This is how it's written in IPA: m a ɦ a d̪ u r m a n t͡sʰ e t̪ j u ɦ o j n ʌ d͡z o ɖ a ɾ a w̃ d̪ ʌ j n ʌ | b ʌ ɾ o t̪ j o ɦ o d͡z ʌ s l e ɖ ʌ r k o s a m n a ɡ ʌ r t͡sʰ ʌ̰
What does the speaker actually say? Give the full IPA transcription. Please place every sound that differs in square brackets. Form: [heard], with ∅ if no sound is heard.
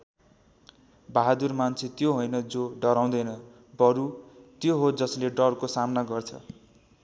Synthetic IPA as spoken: [b] a ɦ a d̪ u r m a n t͡sʰ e t̪ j [o] ɦ o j n ʌ d͡z o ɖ [ʌ] ɾ a w̃ d̪ ʌ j n ʌ | b ʌ ɾ [u] t̪ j o ɦ o d͡z ʌ s l e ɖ ʌ r k o s a m n a ɡ ʌ r t͡sʰ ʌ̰